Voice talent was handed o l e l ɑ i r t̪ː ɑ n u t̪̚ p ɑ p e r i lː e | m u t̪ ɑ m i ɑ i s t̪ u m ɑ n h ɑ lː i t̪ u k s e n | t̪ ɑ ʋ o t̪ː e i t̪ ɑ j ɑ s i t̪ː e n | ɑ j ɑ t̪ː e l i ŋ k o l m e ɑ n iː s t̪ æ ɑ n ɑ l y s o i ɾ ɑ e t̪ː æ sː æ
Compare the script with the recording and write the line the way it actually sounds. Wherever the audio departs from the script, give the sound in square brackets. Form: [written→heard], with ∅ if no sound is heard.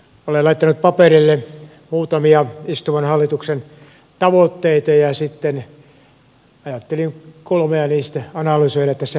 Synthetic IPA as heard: o l e l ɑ i [r→∅] t̪ː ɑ n u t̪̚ p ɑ p e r i lː e | m [u→uː] t̪ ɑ m i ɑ i s t̪ u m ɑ n h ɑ lː i t̪ u k s e n | t̪ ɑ ʋ o t̪ː e i t̪ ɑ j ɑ s i t̪ː e n | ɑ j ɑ t̪ː e l i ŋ k o l m e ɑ n iː s t̪ æ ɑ n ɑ l y s o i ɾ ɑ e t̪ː æ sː æ